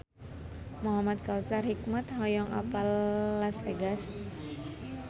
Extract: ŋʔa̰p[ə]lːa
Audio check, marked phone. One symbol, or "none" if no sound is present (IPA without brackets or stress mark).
a